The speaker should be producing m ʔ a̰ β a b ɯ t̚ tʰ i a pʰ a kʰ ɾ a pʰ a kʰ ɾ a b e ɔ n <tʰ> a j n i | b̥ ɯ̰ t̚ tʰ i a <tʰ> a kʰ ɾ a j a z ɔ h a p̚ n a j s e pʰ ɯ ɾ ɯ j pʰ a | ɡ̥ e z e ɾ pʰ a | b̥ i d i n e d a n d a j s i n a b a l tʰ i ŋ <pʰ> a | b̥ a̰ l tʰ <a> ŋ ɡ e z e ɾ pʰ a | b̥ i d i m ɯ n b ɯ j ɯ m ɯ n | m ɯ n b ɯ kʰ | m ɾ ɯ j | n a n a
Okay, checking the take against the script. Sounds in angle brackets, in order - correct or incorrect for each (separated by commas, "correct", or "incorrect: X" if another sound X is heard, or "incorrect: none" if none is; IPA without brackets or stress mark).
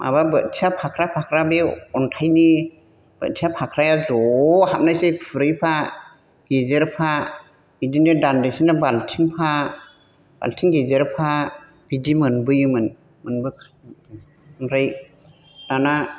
correct, incorrect: pʰ, correct, incorrect: i